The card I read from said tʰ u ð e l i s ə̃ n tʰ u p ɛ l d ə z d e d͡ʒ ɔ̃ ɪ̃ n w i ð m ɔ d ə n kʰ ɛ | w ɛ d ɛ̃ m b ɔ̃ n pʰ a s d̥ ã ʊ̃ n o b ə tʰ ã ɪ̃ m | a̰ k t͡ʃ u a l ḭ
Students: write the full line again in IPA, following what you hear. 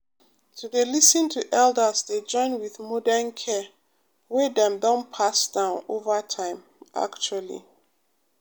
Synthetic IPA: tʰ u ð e l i s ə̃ n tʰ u ʔ ɛ l d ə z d e d͡ʒ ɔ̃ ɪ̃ n w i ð m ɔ d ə n kʰ ɛ | w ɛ d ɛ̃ m d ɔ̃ n pʰ a s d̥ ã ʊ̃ n o v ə tʰ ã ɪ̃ m | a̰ k t͡ʃ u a l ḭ